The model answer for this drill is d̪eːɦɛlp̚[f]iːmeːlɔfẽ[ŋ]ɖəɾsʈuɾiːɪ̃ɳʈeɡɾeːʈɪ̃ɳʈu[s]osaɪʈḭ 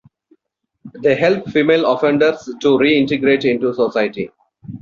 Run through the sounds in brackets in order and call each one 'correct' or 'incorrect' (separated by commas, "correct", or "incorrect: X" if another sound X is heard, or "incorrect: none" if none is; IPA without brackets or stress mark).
correct, incorrect: ɳ, correct